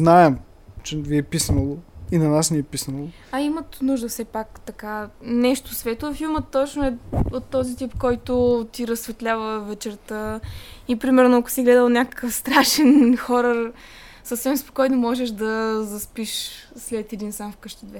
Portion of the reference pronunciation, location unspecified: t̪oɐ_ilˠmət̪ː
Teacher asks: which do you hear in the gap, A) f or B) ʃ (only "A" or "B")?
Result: A